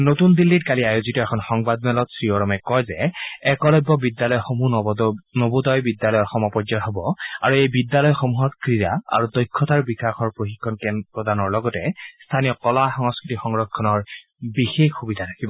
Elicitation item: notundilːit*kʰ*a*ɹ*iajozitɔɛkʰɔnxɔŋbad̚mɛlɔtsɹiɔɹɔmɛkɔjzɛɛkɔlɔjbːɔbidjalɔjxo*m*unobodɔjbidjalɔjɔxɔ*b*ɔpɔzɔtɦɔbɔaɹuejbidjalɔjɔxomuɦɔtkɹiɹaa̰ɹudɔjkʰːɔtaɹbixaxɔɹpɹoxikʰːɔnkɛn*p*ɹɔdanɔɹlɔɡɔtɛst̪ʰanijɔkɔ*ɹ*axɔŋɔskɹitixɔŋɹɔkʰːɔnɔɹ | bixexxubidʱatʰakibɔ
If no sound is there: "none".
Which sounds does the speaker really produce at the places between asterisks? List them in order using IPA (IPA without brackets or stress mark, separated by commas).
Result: k, l, m, m, p, l